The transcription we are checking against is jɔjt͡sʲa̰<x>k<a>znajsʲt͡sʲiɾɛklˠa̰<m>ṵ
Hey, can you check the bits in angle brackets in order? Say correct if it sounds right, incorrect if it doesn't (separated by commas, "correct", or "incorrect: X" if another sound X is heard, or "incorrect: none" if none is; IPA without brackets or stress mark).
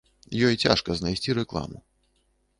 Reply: incorrect: ʂ, incorrect: ɐ, correct